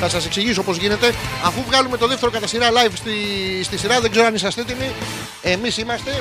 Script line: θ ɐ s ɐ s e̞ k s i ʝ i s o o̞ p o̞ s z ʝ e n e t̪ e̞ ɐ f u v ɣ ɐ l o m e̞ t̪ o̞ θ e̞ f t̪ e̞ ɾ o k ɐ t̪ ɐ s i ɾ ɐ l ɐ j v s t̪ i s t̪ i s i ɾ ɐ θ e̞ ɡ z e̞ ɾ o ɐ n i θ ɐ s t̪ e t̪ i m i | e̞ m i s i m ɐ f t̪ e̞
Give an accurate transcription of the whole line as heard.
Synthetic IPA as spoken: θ ɐ s ɐ s e̞ k s i ʝ i s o o̞ p o̞ z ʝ i n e t̪ e̞ ɐ f u v ɣ ɐ l u m e̞ t̪ o̞ ð e̞ f t̪ e̞ ɾ o k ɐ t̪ ɐ s i ɾ ɐ l ɐ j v s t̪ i s t̪ i s i ɾ ɐ ð e̞ ɡ z e̞ ɾ o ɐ n i s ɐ s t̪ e t̪ i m i | e̞ m i s i m ɐ s t̪ e̞